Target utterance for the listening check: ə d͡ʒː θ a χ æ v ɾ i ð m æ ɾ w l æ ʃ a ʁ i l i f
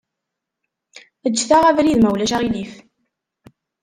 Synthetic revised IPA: ə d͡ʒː θ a ʁ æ v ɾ i ð m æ w l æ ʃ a ʁ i l i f